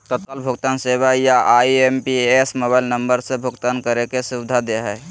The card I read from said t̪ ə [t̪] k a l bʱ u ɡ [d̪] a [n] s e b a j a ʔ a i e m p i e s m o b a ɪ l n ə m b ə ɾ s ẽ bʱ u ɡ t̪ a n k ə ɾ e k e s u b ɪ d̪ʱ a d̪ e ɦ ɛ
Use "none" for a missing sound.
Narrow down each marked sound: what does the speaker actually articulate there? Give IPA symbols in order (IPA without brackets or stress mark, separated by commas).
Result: t̪, t̪, n